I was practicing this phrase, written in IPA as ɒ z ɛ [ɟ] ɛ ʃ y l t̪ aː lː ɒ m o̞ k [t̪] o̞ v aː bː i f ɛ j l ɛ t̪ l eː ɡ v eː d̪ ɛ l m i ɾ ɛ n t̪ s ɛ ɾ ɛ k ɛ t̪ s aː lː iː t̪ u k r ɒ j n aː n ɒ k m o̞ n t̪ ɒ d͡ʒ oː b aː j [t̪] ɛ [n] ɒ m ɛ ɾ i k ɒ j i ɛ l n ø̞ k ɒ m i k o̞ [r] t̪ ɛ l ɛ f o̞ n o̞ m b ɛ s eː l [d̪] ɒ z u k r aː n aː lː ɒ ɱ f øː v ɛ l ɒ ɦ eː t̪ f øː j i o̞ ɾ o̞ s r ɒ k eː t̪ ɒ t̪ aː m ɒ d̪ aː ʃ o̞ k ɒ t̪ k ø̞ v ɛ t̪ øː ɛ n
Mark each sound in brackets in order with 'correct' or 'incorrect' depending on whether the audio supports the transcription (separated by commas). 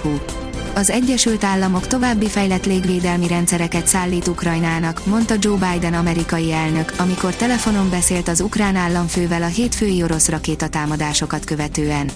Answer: incorrect, correct, incorrect, correct, correct, incorrect